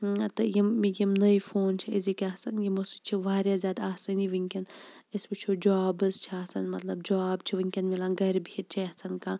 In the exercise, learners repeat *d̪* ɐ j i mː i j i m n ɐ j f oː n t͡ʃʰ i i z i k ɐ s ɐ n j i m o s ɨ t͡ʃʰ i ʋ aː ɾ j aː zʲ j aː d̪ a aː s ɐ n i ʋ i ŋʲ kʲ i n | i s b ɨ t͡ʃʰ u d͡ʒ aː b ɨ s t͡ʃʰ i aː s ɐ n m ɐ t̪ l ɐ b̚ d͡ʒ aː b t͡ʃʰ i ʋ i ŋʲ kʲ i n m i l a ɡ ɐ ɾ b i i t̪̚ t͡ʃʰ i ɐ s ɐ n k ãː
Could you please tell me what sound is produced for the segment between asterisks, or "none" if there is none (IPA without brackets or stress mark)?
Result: t̪